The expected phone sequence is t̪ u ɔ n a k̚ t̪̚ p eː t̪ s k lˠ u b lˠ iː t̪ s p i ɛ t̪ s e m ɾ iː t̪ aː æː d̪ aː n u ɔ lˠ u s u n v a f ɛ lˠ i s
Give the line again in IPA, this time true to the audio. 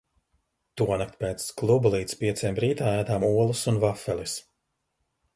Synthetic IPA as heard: t̪ u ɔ n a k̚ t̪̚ p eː t̪ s k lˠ u b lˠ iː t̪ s p i ɛ t̪ s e m ɾ iː t̪ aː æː d̪ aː m u ɔ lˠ u s u n v a f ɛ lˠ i s